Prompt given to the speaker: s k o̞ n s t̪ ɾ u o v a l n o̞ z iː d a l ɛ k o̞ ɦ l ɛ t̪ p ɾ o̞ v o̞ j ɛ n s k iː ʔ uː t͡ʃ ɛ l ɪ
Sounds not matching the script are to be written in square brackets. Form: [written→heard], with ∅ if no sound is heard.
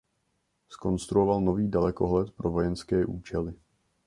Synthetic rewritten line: s k o̞ n s t̪ ɾ u o v a l n o̞ [z→v] iː d a l ɛ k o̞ ɦ l ɛ t̪ p ɾ o̞ v o̞ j ɛ n s k [iː→ɛː] ʔ uː t͡ʃ ɛ l ɪ